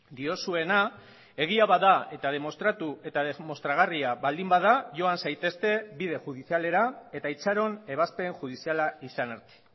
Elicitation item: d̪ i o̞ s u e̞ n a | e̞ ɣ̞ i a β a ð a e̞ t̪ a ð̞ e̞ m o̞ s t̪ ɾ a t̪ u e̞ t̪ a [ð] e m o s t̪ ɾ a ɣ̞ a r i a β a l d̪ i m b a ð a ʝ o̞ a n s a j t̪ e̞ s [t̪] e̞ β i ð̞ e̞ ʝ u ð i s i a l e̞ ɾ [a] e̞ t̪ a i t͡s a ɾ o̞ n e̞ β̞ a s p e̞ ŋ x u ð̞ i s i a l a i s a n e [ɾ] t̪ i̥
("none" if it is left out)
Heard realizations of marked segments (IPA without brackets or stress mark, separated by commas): ð, t̪, a, ɾ